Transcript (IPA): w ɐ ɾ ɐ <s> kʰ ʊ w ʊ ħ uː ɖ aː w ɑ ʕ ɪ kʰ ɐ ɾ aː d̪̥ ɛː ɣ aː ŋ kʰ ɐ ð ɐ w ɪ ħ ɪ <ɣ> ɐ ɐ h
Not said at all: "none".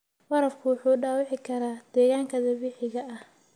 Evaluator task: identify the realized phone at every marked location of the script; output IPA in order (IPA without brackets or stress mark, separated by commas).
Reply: f, ɣ